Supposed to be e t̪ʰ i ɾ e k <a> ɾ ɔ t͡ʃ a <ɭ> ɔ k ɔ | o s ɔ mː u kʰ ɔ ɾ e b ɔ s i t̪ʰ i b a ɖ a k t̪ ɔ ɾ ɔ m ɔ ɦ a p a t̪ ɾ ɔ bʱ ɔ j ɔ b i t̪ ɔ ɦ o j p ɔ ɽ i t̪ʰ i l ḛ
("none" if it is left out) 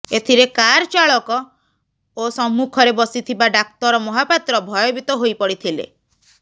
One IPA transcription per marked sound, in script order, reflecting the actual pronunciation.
a, ɭ

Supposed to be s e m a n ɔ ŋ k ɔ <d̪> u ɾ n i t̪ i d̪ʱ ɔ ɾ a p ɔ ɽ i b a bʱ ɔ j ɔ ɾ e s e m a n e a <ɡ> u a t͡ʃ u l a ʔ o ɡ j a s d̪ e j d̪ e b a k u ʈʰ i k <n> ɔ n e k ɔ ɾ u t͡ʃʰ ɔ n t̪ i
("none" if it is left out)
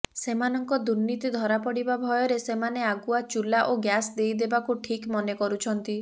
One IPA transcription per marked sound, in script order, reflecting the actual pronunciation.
d̪, ɡ, m

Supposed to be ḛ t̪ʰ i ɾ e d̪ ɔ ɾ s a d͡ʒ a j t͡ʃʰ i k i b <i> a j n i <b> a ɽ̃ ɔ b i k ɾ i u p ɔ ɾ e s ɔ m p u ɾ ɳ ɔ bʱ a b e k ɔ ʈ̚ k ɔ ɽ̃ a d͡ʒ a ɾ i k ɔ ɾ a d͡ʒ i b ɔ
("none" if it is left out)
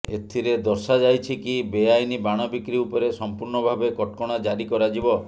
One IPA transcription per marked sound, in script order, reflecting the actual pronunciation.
e, b

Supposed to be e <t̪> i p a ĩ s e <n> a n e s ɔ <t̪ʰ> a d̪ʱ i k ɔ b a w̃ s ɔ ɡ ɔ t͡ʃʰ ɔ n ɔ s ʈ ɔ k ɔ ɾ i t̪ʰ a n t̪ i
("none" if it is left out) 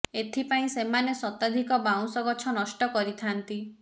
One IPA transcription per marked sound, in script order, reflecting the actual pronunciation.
t̪ʰ, m, t̪

